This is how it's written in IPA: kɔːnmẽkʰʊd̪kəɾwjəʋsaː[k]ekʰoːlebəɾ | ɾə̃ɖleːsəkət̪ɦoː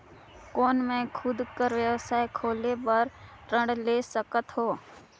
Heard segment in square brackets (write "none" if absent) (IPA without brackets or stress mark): none